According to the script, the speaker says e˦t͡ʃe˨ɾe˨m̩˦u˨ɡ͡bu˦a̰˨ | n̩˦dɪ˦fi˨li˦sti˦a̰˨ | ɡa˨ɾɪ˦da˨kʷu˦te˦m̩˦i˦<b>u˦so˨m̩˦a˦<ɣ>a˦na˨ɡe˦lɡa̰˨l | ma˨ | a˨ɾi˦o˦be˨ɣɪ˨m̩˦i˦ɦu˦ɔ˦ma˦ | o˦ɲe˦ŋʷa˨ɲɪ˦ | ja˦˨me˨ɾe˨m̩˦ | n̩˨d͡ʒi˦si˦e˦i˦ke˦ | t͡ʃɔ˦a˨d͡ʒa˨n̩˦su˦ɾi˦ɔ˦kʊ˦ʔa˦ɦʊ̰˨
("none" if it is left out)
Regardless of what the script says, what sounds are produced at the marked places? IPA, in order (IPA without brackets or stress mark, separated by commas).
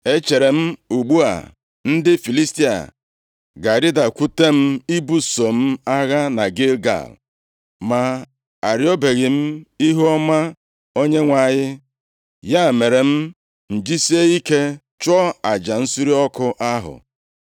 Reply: b, ɣ